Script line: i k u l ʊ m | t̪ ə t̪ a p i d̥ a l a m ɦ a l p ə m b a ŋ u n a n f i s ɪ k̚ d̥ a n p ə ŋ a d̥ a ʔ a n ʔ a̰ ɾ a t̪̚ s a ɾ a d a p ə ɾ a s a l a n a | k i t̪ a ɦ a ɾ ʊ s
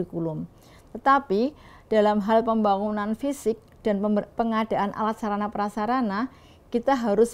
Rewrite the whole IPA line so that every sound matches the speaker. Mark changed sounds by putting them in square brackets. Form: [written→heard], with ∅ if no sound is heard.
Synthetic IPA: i k u l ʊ m | t̪ ə t̪ a p i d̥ a l a m ɦ a l p ə m b a ŋ u n a n f i s ɪ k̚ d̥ a n p ə ŋ a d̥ a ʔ a n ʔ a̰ [ɾ→l] a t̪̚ s a ɾ a [d→n] a p ə ɾ a s a [l→ɾ] a n a | k i t̪ a ɦ a ɾ ʊ s